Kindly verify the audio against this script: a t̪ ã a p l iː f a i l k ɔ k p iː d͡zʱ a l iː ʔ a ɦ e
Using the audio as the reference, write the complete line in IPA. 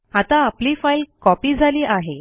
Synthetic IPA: a t̪ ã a p l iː f a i l k ɔ p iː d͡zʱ a l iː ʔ a ɦ e